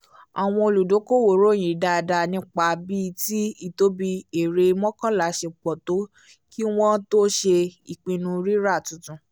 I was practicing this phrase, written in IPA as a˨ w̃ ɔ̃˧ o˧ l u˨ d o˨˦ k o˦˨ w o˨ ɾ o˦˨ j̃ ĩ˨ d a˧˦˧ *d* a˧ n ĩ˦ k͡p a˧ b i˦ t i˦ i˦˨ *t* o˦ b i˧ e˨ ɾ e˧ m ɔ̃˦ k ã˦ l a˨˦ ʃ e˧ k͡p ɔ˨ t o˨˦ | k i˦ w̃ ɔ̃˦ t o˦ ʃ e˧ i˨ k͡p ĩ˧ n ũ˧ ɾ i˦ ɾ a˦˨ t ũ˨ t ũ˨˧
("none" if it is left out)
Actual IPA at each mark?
d, t

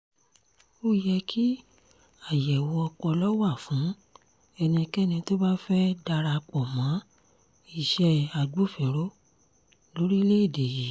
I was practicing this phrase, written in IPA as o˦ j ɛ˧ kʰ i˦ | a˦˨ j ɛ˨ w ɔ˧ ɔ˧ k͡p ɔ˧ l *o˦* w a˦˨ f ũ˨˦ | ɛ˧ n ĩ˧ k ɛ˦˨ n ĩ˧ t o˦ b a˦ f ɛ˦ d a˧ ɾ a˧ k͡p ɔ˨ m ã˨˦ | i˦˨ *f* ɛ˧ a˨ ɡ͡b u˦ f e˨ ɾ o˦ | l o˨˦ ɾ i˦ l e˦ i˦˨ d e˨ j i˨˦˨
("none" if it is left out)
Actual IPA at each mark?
ɔ˦, ʃ

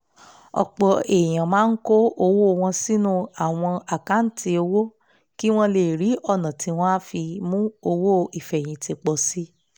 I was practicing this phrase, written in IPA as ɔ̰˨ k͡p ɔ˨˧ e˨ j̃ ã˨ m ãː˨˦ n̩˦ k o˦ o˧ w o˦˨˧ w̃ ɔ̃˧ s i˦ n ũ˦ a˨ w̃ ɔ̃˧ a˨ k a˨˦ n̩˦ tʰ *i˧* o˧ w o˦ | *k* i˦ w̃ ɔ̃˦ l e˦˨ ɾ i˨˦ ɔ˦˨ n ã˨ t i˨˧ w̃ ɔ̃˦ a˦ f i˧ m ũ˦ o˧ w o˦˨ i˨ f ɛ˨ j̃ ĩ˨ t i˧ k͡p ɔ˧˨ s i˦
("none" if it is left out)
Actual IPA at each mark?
i˧, k

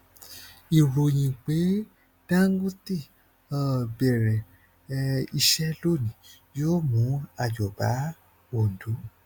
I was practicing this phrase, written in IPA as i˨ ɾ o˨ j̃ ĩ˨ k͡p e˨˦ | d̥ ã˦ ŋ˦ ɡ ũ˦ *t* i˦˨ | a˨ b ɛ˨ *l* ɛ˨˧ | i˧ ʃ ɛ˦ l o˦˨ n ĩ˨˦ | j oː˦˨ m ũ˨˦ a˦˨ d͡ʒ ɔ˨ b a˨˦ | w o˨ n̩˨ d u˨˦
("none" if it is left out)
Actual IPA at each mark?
t, ɾ

